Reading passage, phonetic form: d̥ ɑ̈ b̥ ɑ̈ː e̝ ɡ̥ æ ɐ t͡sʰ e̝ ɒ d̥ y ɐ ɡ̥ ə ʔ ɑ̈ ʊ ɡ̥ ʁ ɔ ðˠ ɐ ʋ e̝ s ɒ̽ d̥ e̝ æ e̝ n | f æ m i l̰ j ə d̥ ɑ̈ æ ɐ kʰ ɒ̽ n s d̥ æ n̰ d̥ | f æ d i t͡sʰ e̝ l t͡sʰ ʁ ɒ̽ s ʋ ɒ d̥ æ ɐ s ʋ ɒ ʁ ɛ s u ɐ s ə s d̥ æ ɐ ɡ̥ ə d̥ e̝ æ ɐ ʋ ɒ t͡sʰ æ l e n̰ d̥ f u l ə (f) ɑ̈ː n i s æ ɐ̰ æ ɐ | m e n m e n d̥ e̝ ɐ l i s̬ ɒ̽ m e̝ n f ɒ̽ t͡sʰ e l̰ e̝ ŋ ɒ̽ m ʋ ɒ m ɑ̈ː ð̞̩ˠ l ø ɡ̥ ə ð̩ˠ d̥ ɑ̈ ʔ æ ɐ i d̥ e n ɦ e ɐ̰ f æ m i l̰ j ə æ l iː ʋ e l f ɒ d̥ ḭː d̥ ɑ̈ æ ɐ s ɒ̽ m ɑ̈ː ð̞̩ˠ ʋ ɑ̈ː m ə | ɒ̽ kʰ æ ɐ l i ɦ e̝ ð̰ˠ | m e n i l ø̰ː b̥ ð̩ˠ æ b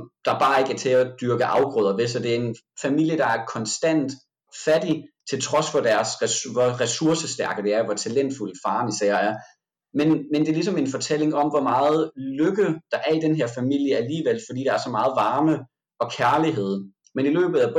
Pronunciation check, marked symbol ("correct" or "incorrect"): correct